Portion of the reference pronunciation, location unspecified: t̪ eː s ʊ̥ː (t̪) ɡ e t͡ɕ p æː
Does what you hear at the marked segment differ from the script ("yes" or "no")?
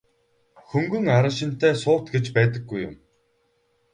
no